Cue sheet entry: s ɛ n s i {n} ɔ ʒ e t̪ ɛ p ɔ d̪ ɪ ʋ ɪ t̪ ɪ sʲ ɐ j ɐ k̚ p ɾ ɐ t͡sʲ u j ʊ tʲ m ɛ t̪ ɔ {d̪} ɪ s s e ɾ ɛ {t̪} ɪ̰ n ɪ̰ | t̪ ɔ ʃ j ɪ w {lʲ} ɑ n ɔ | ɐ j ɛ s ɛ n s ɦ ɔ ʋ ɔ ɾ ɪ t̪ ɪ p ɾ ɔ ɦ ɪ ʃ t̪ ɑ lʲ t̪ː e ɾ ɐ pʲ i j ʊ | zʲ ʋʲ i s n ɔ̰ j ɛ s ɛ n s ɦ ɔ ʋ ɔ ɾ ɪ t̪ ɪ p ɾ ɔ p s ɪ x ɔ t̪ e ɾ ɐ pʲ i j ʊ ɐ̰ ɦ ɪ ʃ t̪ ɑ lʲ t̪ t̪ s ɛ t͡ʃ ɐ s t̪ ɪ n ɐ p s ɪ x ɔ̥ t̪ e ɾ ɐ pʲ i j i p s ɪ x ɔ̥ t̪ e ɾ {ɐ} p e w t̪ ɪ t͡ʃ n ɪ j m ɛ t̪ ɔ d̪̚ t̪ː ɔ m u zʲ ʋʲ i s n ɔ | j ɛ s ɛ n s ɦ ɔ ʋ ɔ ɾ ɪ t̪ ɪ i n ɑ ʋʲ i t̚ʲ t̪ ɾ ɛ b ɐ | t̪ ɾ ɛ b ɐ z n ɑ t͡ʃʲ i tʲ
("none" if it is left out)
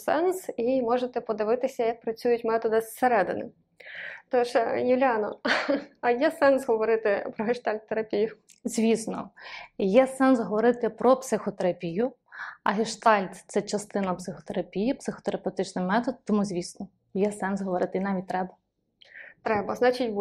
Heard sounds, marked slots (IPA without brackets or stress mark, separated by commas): m, d̪, d̪, lʲ, ɐ